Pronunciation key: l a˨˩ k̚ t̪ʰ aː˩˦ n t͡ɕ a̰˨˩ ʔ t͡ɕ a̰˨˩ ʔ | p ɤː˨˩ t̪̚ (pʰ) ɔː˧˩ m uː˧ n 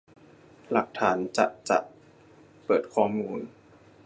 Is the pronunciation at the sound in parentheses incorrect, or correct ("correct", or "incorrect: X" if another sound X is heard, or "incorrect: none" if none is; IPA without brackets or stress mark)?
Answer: incorrect: kʰ